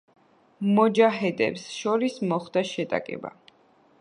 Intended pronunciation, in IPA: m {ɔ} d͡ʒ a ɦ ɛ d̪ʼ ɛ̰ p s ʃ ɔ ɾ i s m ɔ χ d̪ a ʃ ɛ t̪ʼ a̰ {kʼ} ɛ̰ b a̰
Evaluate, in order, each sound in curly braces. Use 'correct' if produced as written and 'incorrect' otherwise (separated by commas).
correct, correct